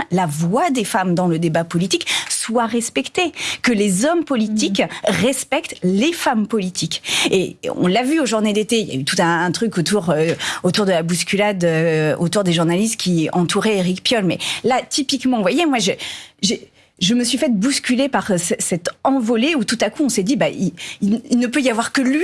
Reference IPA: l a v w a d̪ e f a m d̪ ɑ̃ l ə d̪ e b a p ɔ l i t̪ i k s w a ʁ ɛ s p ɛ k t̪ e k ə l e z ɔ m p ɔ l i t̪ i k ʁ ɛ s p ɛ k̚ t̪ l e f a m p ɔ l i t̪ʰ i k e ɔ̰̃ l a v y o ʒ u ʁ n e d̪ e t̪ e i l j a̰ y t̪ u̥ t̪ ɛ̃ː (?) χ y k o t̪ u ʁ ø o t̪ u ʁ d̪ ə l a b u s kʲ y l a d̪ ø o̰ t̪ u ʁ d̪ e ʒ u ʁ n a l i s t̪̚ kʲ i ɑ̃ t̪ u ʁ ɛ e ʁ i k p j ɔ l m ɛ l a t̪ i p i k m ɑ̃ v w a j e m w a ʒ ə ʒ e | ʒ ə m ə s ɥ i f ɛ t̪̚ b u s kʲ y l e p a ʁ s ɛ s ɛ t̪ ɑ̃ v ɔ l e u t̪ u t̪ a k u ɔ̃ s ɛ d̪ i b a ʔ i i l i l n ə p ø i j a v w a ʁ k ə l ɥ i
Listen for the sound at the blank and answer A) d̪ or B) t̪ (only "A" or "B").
B